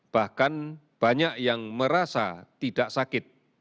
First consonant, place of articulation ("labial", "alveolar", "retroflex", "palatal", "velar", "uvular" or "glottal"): labial